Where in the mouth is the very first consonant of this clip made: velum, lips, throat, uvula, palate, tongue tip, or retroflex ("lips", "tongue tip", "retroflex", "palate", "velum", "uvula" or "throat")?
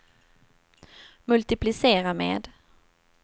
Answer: lips